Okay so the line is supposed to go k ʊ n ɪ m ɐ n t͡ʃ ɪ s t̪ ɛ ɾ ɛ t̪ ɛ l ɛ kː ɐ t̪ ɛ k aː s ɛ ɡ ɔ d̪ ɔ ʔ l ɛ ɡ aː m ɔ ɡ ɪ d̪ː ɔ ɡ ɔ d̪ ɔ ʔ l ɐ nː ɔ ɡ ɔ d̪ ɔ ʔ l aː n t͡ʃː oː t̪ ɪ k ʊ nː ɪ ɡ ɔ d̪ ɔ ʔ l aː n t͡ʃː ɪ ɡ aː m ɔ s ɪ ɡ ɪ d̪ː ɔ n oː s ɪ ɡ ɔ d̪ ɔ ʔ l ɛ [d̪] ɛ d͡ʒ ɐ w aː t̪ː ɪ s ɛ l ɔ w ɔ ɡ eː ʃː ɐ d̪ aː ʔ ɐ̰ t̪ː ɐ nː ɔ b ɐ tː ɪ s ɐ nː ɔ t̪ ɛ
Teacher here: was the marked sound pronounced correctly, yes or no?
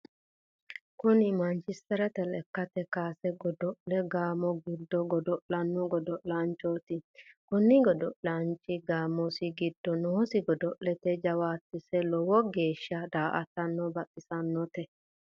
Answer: no